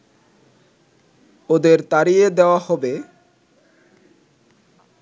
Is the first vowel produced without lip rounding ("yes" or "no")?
no